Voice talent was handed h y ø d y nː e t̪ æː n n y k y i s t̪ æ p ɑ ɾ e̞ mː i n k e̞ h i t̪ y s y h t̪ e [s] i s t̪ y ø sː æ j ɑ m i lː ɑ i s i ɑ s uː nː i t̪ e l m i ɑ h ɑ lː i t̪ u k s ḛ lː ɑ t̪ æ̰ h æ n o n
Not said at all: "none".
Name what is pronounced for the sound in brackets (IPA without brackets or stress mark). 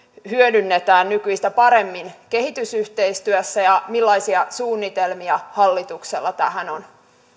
none